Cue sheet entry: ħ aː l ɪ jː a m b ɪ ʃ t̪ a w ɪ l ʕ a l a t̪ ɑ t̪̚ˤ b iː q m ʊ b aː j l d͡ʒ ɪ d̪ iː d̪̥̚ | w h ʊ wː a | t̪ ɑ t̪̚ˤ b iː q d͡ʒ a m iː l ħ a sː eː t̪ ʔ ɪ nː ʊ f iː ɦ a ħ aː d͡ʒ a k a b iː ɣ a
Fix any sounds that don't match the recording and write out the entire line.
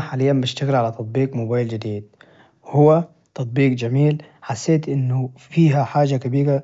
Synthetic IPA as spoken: ħ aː l ɪ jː a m b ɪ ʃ t̪ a ɣ ɪ l ʕ a l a t̪ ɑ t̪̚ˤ b iː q m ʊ b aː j l d͡ʒ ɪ d̪ iː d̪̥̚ | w h ʊ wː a | t̪ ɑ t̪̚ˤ b iː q d͡ʒ a m iː l ħ a sː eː t̪ ʔ ɪ nː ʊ f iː ɦ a ħ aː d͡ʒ a k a b iː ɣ a